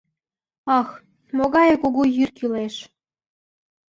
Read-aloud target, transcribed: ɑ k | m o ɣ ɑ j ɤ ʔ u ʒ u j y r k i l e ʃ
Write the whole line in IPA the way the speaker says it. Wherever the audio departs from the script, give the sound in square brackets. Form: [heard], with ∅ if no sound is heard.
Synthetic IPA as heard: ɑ [x] | m o ɣ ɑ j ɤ [k] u [ɣ] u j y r k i l e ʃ